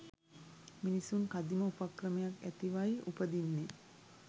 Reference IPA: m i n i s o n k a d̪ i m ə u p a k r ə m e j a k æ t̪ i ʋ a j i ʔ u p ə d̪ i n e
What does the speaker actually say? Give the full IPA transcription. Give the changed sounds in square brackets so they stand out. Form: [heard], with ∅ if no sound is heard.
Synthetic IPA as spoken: m i n i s [u] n k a d̪ i m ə u p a k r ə m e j a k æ t̪ i ʋ a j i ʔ u p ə d̪ i [nː] e